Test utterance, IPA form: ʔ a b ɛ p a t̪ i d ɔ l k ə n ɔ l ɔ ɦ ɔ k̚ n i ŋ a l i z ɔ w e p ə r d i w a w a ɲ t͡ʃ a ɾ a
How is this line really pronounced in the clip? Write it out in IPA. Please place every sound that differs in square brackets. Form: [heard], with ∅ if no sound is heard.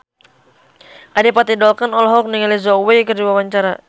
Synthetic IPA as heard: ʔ a [d] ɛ p a t̪ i d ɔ l k [a] n ɔ l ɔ ɦ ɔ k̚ n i ŋ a l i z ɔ w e [k] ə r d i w a w a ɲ t͡ʃ a ɾ a